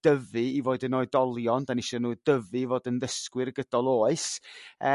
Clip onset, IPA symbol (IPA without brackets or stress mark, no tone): d̥